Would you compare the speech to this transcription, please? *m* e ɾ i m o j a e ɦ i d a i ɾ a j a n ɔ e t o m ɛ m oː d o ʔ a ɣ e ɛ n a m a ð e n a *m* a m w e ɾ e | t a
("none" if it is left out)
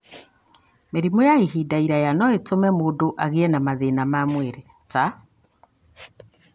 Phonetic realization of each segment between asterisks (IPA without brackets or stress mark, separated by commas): m, m